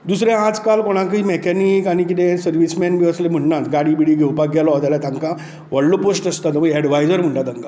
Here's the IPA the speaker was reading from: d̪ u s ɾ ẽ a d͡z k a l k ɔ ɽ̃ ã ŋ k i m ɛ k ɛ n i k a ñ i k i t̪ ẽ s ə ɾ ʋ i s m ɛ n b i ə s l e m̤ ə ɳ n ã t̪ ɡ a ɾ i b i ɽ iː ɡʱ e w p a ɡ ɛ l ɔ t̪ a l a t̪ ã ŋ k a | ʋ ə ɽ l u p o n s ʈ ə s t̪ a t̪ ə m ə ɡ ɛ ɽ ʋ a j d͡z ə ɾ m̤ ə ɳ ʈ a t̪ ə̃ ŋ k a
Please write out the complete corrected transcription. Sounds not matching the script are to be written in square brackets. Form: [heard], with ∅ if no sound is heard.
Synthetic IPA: d̪ u s ɾ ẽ a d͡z k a l k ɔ ɽ̃ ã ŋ k i m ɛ k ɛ n i k a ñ i k i t̪ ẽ s ə ɾ ʋ i s m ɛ n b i ə s l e m̤ ə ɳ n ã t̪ ɡ a [ɽ] i b i ɽ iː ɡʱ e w p a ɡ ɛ l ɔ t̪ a l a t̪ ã ŋ k a | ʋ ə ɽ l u p o [∅] s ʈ ə s t̪ a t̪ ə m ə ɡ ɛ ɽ ʋ a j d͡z ə ɾ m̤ ə ɳ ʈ a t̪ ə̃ ŋ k a